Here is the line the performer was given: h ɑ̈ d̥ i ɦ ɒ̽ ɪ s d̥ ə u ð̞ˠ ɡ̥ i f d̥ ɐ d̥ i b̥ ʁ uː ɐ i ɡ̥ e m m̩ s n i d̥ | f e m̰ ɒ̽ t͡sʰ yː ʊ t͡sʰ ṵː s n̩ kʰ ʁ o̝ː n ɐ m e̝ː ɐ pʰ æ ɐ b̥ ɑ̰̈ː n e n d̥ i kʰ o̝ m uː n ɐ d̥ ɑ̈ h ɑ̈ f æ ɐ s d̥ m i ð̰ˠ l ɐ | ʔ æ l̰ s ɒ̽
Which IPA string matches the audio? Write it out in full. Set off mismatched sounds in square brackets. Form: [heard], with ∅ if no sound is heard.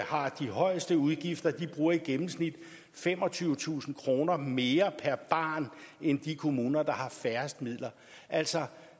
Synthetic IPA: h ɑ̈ d̥ i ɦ ɒ̽ ɪ s d̥ ə u ð̞ˠ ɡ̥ i f d̥ ɐ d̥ i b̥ ʁ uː ɐ i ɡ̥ e m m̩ s n i d̥ | f e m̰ ɒ̽ t͡sʰ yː ʊ t͡sʰ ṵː s n̩ kʰ ʁ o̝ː n ɐ m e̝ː ɐ pʰ æ ɐ b̥ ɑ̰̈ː n e n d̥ i kʰ o̝ m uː n ɐ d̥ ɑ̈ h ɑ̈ f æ ɐ s d̥ m i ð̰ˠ l ɐ | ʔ æ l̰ s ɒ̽